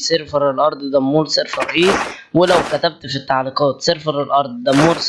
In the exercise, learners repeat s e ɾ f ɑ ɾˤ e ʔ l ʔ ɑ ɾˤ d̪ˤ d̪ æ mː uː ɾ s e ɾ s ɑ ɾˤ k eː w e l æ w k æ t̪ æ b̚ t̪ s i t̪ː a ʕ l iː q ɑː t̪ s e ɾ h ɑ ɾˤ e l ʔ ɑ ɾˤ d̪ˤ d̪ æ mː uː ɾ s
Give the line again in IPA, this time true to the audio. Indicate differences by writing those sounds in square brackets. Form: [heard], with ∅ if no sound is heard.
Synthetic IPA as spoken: s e ɾ f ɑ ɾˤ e [∅] l ʔ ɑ ɾˤ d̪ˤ d̪ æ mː uː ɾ s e ɾ [f] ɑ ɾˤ [ʔ] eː w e l æ w k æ t̪ æ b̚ t̪ [f] i t̪ː a ʕ l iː q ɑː t̪ s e ɾ [f] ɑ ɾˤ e l ʔ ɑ ɾˤ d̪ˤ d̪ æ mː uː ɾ s